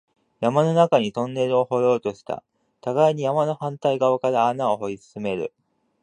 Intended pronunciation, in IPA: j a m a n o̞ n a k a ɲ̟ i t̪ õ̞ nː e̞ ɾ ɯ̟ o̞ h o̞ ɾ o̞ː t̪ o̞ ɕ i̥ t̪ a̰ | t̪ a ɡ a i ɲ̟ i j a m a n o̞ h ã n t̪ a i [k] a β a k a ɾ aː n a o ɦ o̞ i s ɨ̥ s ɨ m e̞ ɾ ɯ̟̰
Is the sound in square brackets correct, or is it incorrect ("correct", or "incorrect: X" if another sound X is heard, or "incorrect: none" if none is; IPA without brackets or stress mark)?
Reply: incorrect: ɡ